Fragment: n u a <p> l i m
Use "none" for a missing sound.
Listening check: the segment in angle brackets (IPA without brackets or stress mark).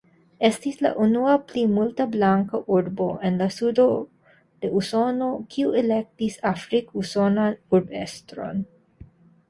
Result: p